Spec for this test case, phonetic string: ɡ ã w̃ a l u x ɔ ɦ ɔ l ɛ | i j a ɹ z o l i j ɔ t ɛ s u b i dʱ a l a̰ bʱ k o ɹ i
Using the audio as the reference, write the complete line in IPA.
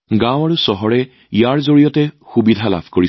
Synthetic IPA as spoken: ɡ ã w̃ a ɹ u s ɔ ɦ ɔ ɹ ɛ | i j a ɹ z o ɹ i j ɔ t ɛ x u b i dʱ a l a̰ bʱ k o ɹ i